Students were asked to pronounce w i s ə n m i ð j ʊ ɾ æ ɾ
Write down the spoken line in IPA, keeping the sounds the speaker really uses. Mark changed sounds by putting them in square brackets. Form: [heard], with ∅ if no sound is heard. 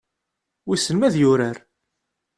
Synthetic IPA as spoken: w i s ə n m [æ] ð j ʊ ɾ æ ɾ